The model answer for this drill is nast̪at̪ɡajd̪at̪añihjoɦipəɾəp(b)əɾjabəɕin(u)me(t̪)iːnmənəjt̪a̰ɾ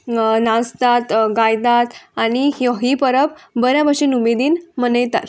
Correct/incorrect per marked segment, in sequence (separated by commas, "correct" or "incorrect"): correct, correct, incorrect